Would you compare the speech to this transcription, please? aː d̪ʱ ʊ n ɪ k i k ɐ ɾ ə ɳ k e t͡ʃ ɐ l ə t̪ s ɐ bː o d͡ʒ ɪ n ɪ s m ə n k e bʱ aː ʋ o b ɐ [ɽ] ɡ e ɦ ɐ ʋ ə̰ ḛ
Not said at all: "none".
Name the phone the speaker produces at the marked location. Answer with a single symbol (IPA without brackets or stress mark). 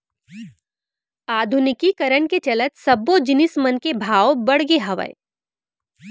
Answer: ɽ